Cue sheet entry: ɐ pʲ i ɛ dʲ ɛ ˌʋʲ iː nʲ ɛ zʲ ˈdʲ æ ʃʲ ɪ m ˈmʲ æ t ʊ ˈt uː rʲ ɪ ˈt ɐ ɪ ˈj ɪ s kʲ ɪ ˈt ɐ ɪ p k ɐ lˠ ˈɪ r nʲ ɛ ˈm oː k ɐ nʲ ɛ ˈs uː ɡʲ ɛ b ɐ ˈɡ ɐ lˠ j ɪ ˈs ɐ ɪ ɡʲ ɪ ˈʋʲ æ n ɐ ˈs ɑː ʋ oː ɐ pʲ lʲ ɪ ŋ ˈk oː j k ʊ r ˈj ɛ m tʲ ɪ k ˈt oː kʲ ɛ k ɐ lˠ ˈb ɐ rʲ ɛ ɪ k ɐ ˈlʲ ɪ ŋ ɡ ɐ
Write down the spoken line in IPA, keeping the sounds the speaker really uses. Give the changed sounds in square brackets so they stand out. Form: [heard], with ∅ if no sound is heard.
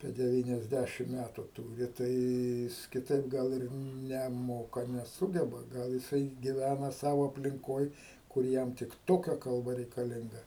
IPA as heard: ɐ pʲ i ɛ dʲ ɛ ˌʋʲ iː nʲ ɛ zʲ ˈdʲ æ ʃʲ ɪ m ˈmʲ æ t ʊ ˈt uː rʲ ɪ ˈt ɐ ɪ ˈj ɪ s kʲ ɪ ˈt ɐ ɪ p [ɡ] ɐ lˠ ˈɪ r nʲ ɛ ˈm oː k ɐ nʲ ɛ ˈs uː ɡʲ ɛ b ɐ ˈɡ ɐ lˠ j ɪ ˈs ɐ ɪ ɡʲ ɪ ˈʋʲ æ n ɐ ˈs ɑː ʋ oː ɐ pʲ lʲ ɪ ŋ ˈk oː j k ʊ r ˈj ɛ m tʲ ɪ k ˈt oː kʲ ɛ k ɐ lˠ ˈb ɐ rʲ ɛ ɪ k ɐ ˈlʲ ɪ ŋ ɡ ɐ